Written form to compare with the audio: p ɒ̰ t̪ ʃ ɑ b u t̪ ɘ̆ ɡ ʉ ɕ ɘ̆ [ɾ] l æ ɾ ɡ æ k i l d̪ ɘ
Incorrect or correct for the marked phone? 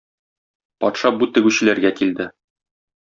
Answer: incorrect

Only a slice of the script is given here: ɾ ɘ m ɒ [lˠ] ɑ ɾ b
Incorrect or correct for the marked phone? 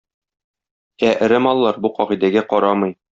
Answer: incorrect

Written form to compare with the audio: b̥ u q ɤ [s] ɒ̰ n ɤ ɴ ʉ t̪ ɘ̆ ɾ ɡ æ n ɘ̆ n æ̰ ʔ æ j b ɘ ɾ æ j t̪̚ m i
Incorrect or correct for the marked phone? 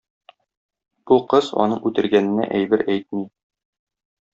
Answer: incorrect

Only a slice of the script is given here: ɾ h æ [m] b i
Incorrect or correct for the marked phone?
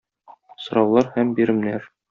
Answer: correct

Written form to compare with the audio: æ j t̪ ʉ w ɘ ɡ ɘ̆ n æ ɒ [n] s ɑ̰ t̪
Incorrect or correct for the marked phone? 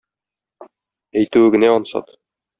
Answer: correct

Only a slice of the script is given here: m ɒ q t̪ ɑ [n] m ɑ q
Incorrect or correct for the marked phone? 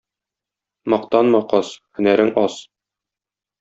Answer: correct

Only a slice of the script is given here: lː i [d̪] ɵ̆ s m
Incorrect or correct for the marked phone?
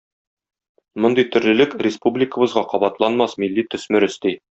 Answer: incorrect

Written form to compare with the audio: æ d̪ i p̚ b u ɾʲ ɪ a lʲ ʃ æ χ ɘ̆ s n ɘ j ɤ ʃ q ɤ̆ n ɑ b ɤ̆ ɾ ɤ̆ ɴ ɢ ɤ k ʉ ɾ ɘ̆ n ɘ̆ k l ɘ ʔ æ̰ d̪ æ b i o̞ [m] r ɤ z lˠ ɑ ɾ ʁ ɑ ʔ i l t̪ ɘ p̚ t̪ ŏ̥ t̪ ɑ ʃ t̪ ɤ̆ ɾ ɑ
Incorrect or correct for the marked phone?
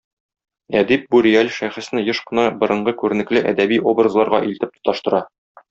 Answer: incorrect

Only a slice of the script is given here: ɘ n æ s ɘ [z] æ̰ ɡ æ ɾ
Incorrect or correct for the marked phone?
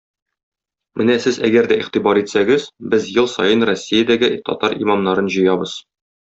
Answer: correct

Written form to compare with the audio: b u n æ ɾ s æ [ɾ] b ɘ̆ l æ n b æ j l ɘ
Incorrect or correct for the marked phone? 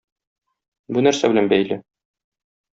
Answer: incorrect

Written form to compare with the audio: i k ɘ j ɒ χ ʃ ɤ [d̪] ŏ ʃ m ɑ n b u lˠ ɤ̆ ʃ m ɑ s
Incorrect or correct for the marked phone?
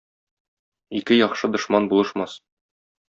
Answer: correct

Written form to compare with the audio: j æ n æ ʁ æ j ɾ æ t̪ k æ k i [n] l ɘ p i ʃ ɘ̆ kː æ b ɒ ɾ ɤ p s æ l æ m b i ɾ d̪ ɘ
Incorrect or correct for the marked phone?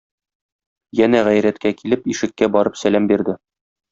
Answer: incorrect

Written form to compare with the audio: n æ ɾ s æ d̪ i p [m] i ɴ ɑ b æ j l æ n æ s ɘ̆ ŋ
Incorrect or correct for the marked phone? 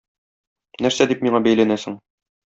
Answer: correct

